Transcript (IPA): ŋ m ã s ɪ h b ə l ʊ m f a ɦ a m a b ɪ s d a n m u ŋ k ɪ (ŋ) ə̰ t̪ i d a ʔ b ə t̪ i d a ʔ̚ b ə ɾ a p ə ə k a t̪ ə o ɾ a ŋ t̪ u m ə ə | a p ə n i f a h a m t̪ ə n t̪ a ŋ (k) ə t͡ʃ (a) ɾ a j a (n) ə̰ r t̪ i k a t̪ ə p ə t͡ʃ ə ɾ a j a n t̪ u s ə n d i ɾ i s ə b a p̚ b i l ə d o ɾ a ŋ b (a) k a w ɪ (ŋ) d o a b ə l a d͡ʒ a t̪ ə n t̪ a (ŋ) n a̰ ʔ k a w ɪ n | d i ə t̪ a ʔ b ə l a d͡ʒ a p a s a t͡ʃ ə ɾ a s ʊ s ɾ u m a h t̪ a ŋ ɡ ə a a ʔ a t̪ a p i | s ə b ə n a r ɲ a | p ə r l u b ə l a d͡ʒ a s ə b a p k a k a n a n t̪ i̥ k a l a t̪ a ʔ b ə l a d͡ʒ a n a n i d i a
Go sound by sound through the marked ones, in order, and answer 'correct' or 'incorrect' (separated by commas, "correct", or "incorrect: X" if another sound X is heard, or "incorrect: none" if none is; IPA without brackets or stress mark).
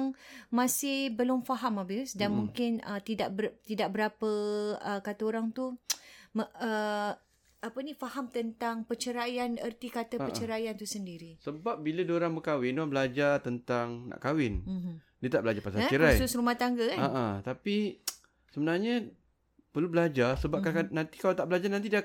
incorrect: n, incorrect: p, incorrect: ə, correct, incorrect: ə, incorrect: n, correct